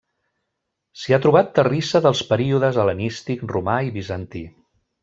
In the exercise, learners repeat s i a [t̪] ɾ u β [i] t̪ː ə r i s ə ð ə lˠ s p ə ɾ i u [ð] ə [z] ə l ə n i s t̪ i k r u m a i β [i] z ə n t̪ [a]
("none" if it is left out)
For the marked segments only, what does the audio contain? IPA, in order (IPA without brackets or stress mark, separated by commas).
t̪, a, ð, z, i, i